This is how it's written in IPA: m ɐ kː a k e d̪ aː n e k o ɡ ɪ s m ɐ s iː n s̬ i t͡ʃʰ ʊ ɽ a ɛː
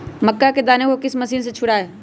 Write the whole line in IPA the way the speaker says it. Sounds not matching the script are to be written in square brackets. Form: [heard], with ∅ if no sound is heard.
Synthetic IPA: m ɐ kː a k e d̪ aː n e k o [k] ɪ s m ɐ s iː n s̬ [e] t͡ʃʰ ʊ ɽ a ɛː